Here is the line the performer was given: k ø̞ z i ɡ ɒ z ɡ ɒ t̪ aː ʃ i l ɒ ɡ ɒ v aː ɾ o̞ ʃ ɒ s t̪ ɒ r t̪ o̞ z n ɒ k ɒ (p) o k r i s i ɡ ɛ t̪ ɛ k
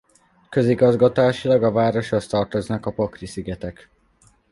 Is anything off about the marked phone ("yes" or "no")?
no